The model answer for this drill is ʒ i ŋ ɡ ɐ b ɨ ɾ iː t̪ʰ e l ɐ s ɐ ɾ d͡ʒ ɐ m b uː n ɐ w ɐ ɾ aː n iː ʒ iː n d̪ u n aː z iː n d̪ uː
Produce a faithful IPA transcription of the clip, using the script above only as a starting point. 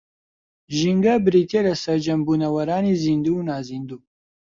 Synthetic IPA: ʒ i ŋ ɡ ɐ b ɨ ɾ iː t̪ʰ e l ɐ s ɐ ɾ d͡ʒ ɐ m b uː n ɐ w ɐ ɾ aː n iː z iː n d̪ u n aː z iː n d̪ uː

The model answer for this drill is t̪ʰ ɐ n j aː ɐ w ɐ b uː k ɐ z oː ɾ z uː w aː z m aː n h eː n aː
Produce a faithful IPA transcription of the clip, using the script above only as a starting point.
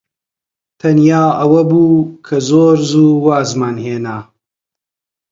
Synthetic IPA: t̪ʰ ɐ n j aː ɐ w ɐ b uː kʰ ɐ z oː ɾ z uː w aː z m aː n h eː n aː

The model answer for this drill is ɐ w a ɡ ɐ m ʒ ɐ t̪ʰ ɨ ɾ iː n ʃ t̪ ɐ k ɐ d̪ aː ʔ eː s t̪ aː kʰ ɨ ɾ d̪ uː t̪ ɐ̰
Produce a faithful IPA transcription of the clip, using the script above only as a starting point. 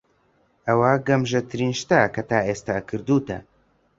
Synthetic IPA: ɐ w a ɡ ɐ m ʒ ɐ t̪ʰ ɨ ɾ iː n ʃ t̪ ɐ k ɐ t̪ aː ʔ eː s t̪ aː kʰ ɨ ɾ d̪ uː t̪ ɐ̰

